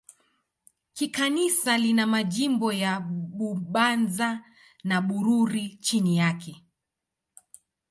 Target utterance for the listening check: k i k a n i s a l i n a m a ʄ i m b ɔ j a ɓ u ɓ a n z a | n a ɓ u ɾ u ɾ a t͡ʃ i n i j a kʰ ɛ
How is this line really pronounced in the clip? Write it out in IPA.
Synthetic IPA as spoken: k i k a n i s a l i n a m a ʄ i m b ɔ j a ɓ u ɓ a n z a | n a ɓ u ɾ u ɾ i t͡ʃ i n i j a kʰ ɛ